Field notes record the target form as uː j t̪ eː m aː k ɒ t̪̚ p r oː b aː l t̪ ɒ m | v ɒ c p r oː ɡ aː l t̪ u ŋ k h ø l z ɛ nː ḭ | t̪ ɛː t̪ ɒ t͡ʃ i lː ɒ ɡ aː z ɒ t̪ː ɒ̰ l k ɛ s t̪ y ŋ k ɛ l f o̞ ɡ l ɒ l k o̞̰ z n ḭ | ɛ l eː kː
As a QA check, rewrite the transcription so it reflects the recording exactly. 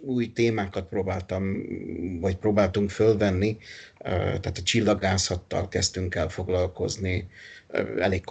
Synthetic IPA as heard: uː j t̪ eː m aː k ɒ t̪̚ p r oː b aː l t̪ ɒ m | v ɒ c p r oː b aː l t̪ u ŋ k f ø l v ɛ nː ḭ | t̪ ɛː t̪ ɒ t͡ʃ i lː ɒ ɡ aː s ɒ t̪ː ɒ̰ l k ɛ s t̪ y ŋ k ɛ l f o̞ ɡ l ɒ l k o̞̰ z n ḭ | ɛ l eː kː